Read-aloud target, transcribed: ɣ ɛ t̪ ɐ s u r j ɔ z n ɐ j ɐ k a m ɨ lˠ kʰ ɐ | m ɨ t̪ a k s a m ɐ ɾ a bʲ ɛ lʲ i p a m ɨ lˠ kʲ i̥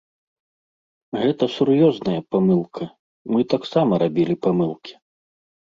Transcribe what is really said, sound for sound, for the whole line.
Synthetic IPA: ɣ ɛ t̪ ɐ s u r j ɔ z n ɐ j ɐ p a m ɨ lˠ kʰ ɐ | m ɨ t̪ a k s a m ɐ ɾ a bʲ i lʲ i p a m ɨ lˠ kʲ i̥